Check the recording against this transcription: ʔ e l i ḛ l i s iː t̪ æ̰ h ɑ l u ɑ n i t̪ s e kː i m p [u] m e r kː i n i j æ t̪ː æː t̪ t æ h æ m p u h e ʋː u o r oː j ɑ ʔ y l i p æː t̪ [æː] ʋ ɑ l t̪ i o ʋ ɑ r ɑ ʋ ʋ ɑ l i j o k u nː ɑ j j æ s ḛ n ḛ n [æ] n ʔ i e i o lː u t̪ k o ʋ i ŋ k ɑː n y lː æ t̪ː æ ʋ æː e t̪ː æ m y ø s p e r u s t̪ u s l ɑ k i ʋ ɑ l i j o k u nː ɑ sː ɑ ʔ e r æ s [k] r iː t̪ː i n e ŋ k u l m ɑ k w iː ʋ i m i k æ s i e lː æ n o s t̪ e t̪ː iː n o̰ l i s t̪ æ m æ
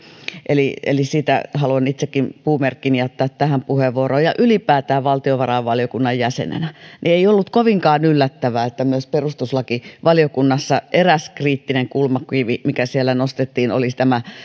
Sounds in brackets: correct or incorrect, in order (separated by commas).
incorrect, correct, correct, correct